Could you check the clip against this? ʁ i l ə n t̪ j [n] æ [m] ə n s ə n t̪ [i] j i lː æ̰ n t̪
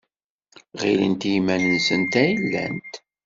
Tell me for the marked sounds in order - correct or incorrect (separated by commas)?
incorrect, incorrect, incorrect